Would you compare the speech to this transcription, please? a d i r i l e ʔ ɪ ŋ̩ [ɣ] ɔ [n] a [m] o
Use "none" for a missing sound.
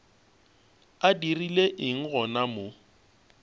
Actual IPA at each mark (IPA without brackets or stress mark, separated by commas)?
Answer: ɣ, n, m